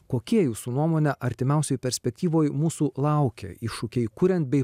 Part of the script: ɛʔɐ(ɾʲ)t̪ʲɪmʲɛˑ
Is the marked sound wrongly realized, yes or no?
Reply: no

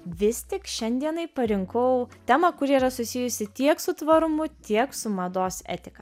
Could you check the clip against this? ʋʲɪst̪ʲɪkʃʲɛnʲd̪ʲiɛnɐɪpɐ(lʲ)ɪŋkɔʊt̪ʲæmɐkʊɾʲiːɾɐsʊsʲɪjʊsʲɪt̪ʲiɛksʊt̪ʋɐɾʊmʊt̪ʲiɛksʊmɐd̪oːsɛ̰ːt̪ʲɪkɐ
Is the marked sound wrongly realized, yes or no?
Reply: yes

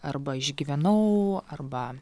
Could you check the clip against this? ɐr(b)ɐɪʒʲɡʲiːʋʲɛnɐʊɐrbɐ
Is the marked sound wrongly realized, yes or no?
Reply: no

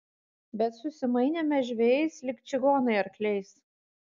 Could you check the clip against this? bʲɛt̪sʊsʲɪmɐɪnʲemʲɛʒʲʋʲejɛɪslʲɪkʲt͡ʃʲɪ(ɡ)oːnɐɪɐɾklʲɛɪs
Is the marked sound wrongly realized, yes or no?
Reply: no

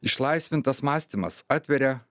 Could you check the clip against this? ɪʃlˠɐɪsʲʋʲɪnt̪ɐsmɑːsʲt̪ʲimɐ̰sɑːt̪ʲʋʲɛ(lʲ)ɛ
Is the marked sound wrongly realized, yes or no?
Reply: yes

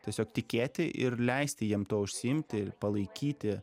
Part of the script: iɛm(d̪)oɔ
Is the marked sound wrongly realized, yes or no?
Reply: yes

